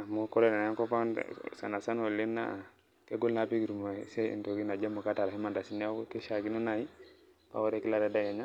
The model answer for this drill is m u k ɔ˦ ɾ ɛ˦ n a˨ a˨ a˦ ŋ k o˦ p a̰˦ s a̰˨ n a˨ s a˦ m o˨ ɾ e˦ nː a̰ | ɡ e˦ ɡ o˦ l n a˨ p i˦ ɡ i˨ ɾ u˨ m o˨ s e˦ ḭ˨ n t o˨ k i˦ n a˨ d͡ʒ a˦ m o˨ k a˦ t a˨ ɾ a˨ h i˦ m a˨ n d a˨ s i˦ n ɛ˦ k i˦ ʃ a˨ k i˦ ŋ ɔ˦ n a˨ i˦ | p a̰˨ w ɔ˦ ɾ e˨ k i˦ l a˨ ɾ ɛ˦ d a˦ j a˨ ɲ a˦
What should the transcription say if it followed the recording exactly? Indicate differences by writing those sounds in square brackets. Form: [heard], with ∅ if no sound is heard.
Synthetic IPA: m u k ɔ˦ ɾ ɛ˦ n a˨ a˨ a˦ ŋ k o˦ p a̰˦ s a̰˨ n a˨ s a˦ [n] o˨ [l] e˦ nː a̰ | [k] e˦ ɡ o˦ l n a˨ p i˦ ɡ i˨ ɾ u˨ m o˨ s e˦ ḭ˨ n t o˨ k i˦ n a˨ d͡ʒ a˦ m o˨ k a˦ t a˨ ɾ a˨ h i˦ m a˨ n d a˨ s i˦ n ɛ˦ k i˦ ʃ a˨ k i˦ [n] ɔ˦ n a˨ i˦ | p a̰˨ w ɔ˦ ɾ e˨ k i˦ l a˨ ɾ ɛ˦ d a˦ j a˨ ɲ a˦